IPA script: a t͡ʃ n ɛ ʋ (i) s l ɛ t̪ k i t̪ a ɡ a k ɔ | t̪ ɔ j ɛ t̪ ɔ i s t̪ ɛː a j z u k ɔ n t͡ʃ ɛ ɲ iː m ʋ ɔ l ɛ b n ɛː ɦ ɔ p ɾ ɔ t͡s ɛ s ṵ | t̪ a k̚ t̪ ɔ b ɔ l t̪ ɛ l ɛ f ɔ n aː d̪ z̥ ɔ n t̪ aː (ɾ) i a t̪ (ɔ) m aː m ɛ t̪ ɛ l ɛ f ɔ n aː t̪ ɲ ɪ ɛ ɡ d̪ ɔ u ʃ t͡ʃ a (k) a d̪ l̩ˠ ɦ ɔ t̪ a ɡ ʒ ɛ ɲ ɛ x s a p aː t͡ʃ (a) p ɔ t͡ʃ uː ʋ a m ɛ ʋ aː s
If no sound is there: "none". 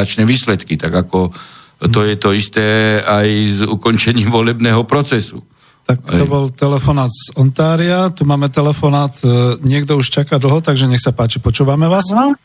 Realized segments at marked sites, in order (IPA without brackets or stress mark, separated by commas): iː, ɾ, u, k, i